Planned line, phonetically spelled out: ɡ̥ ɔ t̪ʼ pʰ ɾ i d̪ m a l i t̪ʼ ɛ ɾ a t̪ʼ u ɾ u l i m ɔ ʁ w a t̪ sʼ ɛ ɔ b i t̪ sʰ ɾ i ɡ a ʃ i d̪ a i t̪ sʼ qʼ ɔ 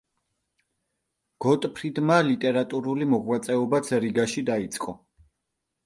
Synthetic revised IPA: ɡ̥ ɔ t̪ʼ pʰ ɾ i d̪ m a l i t̪ʼ ɛ ɾ a t̪ʼ u ɾ u l i m ɔ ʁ w a t̪ sʼ ɛ ɔ b a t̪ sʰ ɾ i ɡ a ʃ i d̪ a i t̪ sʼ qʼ ɔ